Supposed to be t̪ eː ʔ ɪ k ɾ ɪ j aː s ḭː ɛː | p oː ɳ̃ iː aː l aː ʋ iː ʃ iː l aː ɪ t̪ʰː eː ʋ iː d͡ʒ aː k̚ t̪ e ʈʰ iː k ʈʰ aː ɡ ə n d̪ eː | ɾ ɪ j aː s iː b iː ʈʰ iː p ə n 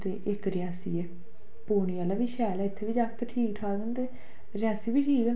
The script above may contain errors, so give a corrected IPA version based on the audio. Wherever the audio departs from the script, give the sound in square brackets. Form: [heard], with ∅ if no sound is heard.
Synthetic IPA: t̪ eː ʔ ɪ k ɾ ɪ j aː s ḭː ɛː | p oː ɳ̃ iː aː l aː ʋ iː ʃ [ɛː] l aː ɪ t̪ʰː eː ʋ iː d͡ʒ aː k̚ t̪ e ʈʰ iː k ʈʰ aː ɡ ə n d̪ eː | ɾ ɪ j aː s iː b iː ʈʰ iː [k] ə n